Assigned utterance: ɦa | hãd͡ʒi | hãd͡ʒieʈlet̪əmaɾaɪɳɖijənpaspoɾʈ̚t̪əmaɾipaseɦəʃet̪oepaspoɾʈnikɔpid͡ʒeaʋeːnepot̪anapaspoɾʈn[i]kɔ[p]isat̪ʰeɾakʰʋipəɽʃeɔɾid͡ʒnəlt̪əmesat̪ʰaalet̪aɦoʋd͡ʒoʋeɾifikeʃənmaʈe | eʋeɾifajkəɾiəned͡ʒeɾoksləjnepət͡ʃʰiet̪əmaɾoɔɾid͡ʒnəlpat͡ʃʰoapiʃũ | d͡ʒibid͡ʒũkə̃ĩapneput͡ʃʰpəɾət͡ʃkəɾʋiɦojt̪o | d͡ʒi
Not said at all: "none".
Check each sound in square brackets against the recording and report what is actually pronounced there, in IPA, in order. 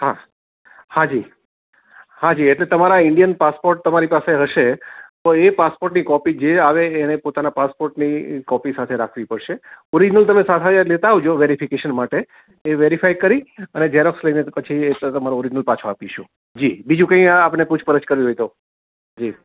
i, p

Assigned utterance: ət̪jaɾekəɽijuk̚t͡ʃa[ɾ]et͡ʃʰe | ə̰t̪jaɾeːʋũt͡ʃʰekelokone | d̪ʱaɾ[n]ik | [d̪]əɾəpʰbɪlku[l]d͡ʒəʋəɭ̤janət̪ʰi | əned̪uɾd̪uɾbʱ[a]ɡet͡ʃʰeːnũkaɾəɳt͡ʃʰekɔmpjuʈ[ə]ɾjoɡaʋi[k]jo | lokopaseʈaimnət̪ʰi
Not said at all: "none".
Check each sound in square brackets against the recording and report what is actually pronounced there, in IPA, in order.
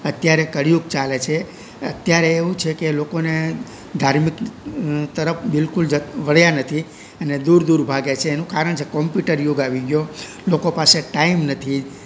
l, m, t̪, l, a, ə, ɡ

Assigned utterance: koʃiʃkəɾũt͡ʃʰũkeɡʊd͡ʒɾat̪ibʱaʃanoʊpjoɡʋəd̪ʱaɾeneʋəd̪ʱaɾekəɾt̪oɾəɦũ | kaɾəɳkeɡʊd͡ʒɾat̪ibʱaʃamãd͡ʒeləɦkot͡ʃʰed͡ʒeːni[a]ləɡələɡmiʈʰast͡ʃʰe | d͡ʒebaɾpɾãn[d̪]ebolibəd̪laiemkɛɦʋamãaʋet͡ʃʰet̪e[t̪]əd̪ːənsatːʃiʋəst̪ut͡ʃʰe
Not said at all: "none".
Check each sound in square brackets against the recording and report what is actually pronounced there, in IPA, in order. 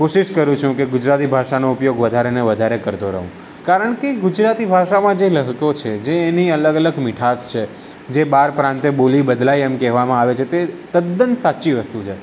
ə, t̪, t̪

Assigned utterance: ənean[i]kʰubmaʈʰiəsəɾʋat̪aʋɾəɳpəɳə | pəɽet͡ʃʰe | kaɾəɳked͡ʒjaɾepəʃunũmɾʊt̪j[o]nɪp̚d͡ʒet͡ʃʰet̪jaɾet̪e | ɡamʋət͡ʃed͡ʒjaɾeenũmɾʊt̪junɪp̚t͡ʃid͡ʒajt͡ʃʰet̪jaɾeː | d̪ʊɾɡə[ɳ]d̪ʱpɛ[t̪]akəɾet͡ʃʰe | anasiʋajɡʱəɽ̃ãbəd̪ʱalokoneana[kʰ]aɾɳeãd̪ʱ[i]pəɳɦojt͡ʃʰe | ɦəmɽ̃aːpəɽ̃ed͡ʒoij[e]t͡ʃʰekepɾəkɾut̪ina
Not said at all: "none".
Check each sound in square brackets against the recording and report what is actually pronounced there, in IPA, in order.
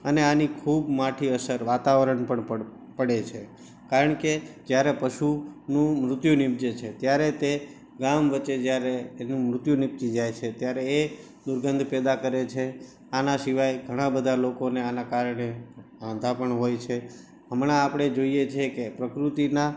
i, u, n, d̪, k, a, e

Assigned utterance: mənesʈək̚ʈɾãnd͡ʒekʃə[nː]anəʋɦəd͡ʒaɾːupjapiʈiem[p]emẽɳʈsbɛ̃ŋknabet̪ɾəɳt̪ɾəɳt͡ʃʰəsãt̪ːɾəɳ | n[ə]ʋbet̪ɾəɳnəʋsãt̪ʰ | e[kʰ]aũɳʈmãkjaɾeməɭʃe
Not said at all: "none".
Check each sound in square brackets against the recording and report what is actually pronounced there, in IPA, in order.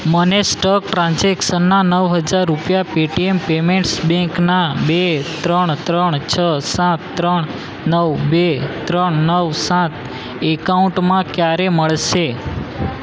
nː, p, ə, k

